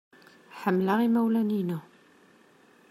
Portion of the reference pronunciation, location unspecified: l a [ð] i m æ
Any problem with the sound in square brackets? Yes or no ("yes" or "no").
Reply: yes